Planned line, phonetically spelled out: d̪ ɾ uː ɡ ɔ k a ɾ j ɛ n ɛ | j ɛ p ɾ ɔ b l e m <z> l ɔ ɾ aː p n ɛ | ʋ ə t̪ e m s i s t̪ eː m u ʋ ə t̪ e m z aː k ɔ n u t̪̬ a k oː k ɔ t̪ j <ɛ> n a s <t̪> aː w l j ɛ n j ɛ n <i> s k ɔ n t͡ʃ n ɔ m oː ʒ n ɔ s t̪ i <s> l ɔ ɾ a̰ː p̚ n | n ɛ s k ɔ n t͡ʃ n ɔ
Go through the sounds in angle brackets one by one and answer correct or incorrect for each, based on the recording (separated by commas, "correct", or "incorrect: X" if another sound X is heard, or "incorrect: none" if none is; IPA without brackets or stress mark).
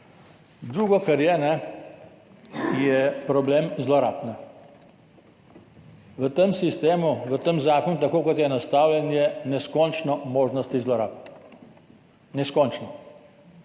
correct, correct, correct, incorrect: ɛ, incorrect: z